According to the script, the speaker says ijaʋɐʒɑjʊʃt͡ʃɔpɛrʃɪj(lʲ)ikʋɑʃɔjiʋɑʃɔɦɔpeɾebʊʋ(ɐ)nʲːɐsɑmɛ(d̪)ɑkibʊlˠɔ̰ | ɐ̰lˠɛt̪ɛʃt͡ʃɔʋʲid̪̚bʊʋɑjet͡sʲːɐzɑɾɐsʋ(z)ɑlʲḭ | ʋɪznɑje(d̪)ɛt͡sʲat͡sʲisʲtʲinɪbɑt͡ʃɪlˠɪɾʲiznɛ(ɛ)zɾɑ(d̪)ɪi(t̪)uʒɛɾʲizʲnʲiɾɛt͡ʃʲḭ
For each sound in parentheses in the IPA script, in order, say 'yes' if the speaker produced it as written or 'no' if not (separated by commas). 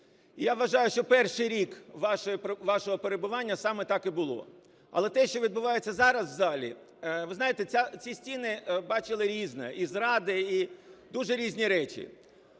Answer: no, no, no, yes, no, no, yes, no